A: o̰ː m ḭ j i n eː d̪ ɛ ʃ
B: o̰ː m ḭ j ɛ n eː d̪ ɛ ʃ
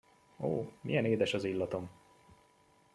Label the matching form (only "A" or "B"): B